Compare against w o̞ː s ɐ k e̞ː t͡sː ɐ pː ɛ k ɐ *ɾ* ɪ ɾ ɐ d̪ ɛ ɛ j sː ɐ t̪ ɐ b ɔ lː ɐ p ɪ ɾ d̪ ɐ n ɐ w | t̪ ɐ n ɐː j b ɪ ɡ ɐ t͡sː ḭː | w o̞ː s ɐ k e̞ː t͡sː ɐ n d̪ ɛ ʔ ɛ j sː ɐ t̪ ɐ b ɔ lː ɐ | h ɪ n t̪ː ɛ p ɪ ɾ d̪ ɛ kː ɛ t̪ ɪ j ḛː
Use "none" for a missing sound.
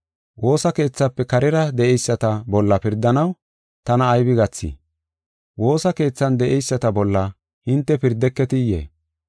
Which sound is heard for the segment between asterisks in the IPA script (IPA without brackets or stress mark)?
ɾ